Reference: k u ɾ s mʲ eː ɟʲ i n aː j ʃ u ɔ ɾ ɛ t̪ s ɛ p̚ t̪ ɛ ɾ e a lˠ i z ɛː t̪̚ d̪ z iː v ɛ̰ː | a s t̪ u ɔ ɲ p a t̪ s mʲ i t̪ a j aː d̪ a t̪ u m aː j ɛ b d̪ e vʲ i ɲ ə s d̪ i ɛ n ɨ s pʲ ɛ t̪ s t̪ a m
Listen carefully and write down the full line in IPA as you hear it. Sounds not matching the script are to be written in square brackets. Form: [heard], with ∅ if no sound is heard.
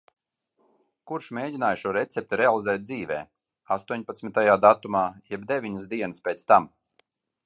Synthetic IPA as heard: k u ɾ [ʃ] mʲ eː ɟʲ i n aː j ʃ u ɔ ɾ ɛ t̪ s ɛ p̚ t̪ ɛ ɾ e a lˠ i z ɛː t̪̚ d̪ z iː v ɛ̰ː | a s t̪ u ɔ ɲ p a t̪ s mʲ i t̪ a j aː d̪ a t̪ u m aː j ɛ b d̪ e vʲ i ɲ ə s d̪ i ɛ n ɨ s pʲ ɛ t̪ s t̪ a m